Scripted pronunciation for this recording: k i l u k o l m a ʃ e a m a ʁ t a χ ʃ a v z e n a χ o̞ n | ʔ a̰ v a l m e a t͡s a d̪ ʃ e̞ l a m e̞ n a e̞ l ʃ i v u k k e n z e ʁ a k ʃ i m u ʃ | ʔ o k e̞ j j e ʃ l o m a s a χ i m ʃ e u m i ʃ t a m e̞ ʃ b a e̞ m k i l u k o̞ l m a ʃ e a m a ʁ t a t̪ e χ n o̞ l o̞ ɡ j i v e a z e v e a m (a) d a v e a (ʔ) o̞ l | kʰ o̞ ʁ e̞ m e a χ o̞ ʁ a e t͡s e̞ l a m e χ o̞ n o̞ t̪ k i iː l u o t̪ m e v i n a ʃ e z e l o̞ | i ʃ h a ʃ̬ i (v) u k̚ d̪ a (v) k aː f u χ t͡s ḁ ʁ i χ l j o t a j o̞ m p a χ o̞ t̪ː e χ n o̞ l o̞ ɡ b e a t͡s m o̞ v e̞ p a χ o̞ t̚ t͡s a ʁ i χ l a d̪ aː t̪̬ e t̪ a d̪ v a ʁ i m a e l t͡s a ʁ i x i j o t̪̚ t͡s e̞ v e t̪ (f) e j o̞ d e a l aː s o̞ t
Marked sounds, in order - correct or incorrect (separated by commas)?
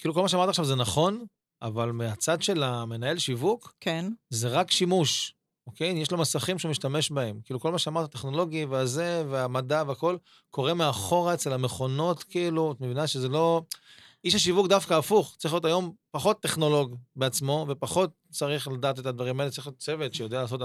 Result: correct, incorrect, correct, incorrect, incorrect